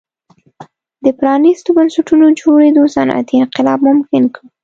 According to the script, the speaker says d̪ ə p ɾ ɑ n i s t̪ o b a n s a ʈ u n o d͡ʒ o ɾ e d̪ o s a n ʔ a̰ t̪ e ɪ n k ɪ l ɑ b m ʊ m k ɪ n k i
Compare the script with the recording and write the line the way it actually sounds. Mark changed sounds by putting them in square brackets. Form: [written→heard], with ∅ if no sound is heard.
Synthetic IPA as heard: d̪ ə p ɾ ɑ n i s t̪ o b a n s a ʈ u n o d͡ʒ o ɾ e d̪ o s a n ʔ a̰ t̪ [e→i] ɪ n [k→q] ɪ l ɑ b m ʊ m k ɪ n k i